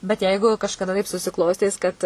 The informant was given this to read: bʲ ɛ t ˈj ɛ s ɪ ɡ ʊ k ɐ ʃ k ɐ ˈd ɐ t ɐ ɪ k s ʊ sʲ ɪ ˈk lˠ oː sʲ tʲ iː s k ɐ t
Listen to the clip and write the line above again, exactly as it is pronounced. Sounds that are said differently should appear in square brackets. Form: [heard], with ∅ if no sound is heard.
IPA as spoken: bʲ ɛ t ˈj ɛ [∅] ɪ ɡ ʊ k ɐ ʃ k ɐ ˈd ɐ t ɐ ɪ [p] s ʊ sʲ ɪ ˈk lˠ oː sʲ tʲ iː s k ɐ t